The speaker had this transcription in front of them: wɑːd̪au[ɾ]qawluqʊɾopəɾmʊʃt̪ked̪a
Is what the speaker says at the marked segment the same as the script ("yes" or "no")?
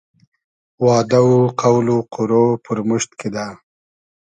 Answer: no